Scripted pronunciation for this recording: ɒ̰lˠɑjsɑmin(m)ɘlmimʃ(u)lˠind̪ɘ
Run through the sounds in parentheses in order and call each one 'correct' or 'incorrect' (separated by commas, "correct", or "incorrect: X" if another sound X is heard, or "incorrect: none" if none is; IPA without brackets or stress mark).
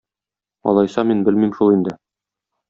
incorrect: b, correct